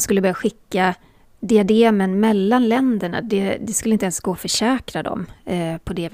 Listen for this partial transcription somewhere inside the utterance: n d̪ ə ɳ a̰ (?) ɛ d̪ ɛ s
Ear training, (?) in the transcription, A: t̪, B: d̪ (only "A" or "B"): B